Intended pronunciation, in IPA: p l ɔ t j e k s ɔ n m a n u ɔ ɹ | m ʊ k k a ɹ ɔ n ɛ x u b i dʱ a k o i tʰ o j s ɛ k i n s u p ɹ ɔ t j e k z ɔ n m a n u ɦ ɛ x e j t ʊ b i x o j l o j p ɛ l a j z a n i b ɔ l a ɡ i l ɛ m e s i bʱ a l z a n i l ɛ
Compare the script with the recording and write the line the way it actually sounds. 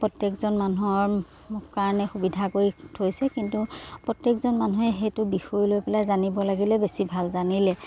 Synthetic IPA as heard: p ɹ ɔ t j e k z ɔ n m a n u ɔ ɹ | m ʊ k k a ɹ ɔ n ɛ x u b i dʱ a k o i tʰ o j s ɛ k i n t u p ɹ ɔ t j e k z ɔ n m a n u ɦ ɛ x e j t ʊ b i x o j l o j p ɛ l a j z a n i b ɔ l a ɡ i l ɛ b e s i bʱ a l z a n i l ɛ